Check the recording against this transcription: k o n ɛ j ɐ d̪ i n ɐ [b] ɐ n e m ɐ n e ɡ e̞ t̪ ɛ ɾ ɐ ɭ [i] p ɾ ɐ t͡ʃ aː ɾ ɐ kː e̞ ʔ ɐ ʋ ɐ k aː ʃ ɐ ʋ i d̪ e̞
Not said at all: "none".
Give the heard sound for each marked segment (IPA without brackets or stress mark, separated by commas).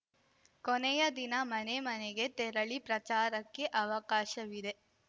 m, i